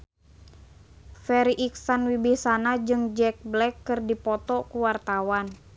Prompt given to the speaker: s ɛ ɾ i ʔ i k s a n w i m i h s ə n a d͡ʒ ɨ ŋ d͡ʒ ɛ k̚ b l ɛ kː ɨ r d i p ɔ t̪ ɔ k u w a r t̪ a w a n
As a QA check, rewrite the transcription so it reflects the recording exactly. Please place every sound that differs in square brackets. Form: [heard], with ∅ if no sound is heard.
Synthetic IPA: [f] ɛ ɾ i ʔ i k s a n w i [b] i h s [a] n a d͡ʒ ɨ ŋ d͡ʒ ɛ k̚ b l ɛ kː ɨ r d i p ɔ t̪ ɔ k u w a r t̪ a w a n